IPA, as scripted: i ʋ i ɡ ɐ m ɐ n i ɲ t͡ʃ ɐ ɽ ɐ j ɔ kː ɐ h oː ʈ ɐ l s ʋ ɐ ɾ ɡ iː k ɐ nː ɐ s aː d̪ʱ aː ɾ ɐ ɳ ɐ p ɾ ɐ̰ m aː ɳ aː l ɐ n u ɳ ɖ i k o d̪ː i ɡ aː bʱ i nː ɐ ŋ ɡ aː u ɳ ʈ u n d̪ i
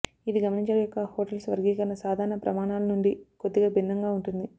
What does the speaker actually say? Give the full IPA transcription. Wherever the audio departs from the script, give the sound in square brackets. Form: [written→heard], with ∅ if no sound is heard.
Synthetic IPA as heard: i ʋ i ɡ ɐ m ɐ n i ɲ t͡ʃ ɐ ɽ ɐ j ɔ kː ɐ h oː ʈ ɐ l s ʋ ɐ ɾ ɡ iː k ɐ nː ɐ s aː d̪ʱ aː ɾ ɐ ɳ ɐ p ɾ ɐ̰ m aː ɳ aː l ɐ n u ɳ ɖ i k o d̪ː i ɡ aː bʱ i nː ɐ ŋ ɡ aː u ɳ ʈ u n d̪ i